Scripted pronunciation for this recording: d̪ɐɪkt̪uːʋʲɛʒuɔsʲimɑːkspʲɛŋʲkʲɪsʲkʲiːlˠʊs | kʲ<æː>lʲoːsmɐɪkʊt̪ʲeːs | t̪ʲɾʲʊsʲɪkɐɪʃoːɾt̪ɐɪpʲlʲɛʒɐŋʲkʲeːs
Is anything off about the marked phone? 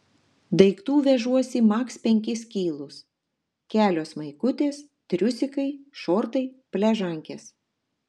no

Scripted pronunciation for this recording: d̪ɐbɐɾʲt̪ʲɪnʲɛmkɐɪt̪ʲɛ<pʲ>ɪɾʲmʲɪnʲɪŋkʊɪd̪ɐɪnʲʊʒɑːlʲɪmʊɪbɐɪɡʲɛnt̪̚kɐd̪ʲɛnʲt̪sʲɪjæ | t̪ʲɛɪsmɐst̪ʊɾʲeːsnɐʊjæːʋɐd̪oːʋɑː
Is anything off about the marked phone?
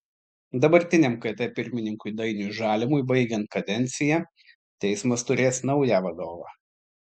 no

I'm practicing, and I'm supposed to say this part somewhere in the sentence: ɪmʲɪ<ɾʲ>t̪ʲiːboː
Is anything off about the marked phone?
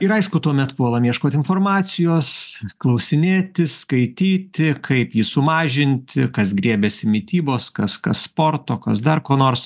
yes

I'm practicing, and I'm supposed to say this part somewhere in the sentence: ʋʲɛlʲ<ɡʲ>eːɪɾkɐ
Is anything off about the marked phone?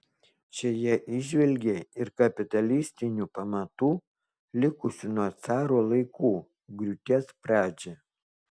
no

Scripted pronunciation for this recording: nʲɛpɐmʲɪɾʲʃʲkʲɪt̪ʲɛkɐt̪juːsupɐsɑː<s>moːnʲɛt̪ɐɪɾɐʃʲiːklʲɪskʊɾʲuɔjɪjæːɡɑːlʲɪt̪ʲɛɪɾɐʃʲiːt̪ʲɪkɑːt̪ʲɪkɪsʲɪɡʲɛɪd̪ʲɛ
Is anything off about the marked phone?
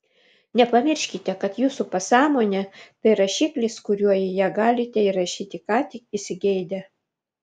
yes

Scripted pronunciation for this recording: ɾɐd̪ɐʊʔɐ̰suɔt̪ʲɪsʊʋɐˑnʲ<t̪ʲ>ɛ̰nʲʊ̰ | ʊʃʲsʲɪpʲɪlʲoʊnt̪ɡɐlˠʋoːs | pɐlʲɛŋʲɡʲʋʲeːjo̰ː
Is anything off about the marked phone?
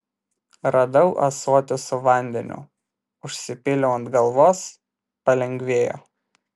yes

